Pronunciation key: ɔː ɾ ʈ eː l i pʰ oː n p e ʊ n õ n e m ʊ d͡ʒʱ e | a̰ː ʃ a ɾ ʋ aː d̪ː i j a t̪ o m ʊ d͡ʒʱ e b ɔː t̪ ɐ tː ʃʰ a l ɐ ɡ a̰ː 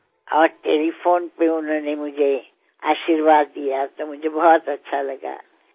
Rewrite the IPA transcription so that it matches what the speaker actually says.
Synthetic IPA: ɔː ɾ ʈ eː l i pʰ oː n p e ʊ n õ n e m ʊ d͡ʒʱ e | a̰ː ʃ i ɾ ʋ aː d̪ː i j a t̪ o m ʊ d͡ʒʱ e b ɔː t̪ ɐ tː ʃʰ a l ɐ ɡ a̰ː